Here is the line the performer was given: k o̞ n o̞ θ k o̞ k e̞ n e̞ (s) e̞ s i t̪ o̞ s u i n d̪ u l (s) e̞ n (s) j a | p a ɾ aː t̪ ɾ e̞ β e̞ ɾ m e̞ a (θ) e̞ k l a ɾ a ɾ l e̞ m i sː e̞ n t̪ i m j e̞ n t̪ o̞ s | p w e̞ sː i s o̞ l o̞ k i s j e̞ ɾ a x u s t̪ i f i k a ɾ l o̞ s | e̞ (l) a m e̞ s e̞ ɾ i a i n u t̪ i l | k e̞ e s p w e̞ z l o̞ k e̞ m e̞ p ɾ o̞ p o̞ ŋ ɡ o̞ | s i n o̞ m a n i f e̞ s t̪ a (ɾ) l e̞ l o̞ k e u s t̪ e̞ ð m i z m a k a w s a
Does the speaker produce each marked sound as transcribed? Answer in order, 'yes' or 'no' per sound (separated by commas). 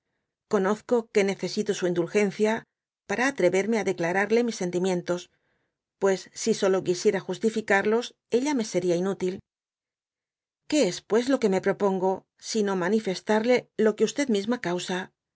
no, no, no, no, no, yes